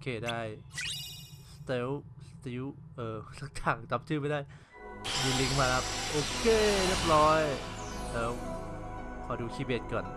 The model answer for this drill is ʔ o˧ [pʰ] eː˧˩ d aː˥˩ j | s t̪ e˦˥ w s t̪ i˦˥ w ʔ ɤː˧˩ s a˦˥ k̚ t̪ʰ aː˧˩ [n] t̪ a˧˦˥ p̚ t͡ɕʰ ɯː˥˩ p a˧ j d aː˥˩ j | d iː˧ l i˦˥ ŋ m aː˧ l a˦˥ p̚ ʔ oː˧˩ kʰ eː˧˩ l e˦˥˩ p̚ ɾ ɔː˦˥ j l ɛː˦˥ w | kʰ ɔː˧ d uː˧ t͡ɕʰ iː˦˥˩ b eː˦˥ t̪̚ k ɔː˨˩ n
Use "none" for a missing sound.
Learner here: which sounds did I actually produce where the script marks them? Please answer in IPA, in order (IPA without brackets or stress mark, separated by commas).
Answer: kʰ, ŋ